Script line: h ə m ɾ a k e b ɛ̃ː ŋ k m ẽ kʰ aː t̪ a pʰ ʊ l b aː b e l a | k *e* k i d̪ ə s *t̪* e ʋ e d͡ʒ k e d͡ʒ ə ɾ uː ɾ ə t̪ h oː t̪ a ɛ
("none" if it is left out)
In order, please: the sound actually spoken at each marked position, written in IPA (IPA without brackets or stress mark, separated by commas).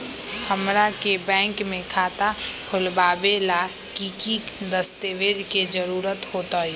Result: i, t̪